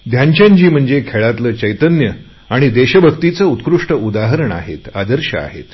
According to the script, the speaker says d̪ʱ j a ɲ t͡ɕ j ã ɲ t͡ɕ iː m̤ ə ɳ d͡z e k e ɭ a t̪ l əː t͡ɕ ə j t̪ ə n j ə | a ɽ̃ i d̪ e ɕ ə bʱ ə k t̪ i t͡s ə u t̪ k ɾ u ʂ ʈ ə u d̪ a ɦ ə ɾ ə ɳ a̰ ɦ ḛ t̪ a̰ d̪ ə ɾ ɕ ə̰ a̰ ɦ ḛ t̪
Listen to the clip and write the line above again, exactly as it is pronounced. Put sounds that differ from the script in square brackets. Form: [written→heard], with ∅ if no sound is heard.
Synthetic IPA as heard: d̪ʱ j a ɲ t͡ɕ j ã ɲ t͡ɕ iː m̤ ə ɳ d͡z e [k→kʰ] e ɭ a t̪ l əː t͡ɕ ə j t̪ ə n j ə | a ɽ̃ i d̪ e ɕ ə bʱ ə k t̪ i t͡s ə u t̪ k ɾ u ʂ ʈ ə u d̪ a ɦ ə ɾ ə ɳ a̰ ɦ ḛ t̪ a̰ d̪ ə ɾ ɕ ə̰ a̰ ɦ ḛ t̪